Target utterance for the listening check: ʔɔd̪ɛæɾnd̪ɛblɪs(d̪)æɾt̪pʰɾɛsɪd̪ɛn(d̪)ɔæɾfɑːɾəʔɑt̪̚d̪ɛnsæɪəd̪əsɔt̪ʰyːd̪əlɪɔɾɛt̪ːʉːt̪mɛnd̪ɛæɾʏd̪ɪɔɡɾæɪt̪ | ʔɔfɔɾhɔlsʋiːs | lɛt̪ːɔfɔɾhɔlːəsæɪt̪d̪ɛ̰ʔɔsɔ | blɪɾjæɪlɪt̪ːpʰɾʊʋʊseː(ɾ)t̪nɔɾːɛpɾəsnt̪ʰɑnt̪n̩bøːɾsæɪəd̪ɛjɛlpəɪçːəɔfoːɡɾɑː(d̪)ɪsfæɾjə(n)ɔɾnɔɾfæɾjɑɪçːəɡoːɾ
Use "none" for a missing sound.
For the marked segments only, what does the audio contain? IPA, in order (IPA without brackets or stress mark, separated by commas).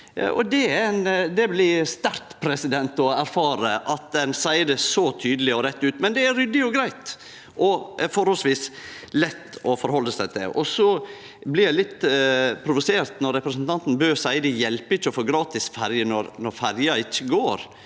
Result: t̪, t̪, ɾ, t̪, n